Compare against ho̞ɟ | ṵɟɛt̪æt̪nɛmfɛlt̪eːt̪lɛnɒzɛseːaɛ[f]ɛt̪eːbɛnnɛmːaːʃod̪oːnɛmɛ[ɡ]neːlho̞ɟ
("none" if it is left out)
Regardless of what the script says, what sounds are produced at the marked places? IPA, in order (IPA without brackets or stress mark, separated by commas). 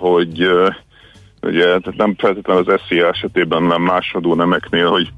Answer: ʃ, k